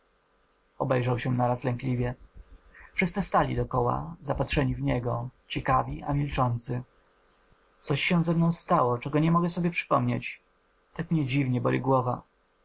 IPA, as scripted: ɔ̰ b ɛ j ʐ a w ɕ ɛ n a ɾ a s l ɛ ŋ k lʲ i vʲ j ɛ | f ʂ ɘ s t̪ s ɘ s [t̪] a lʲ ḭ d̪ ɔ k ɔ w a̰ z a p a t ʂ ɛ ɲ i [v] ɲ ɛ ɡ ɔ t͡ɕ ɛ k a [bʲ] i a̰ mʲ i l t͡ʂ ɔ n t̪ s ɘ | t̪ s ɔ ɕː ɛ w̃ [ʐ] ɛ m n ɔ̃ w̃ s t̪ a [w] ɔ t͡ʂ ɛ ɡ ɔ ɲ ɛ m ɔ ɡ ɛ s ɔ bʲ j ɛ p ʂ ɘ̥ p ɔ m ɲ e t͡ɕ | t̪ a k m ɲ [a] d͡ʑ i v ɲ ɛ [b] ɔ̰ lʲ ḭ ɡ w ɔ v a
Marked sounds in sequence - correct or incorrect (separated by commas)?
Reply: correct, correct, incorrect, incorrect, correct, incorrect, correct